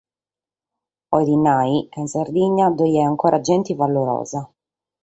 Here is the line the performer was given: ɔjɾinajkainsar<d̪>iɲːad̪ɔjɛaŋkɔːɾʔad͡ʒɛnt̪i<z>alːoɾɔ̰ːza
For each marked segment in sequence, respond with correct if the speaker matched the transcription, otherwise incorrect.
correct, incorrect

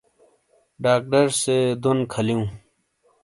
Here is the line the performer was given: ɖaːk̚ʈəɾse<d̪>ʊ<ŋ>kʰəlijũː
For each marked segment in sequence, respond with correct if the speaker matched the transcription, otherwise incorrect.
correct, incorrect

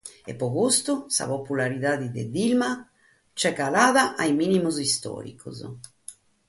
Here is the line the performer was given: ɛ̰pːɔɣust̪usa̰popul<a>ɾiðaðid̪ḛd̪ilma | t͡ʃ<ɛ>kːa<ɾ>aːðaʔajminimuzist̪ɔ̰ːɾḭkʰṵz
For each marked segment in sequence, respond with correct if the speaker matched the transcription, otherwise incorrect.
correct, correct, incorrect

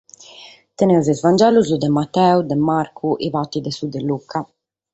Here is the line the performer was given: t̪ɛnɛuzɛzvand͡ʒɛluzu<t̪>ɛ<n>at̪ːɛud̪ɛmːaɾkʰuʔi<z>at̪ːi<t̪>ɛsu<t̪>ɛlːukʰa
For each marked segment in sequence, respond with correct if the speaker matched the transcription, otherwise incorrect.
incorrect, incorrect, incorrect, incorrect, incorrect

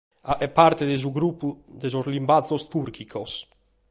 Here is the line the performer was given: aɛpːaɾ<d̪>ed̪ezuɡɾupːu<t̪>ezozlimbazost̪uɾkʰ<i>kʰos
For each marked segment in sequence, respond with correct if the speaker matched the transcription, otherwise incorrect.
incorrect, incorrect, correct

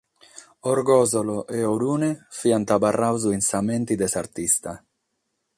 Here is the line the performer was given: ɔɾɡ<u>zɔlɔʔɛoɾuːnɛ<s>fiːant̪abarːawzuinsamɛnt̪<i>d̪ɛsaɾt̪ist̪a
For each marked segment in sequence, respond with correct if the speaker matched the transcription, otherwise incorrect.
incorrect, incorrect, correct

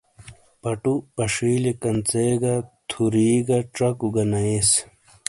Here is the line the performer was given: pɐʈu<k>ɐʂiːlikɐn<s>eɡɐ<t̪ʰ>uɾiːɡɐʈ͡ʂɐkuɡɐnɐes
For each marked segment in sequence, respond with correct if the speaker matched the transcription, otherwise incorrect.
incorrect, incorrect, correct

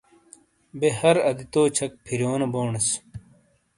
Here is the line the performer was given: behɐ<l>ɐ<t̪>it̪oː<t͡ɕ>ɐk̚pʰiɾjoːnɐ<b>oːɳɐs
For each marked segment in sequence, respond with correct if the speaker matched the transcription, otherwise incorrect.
incorrect, incorrect, incorrect, correct

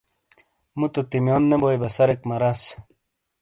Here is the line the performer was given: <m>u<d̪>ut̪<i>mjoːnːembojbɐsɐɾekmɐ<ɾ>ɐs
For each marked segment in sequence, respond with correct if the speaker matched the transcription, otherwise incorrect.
correct, incorrect, correct, correct

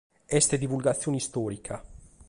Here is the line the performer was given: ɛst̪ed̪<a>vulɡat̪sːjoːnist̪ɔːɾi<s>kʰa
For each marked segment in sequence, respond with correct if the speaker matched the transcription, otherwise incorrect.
incorrect, incorrect

